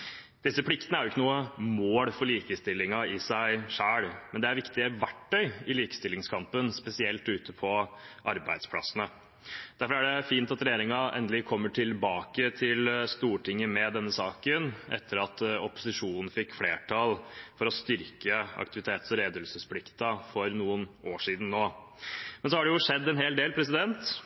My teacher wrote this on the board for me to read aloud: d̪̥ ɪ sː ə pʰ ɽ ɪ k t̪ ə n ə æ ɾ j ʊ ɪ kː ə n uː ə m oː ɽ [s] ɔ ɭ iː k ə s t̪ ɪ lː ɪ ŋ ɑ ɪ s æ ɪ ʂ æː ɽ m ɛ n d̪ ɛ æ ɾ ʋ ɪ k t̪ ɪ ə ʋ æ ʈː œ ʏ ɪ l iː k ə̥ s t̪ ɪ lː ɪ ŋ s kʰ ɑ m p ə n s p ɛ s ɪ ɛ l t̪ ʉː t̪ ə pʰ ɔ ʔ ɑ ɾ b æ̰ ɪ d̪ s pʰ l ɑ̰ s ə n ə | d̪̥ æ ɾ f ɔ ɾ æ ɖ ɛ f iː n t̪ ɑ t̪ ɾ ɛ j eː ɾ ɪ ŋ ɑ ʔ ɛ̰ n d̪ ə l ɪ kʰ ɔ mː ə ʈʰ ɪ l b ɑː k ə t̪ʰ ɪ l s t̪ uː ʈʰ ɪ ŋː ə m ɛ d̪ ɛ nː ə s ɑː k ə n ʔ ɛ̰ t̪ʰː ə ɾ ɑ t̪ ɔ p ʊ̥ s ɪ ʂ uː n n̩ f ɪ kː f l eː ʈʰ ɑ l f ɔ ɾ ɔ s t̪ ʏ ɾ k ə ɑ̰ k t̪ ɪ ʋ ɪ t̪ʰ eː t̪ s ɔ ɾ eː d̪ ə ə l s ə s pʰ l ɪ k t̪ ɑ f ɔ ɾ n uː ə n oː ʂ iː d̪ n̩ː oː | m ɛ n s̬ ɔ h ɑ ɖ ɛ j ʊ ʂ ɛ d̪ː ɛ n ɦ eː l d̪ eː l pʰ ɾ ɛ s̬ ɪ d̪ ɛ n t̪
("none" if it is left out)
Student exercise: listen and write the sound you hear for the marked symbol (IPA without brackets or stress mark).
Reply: f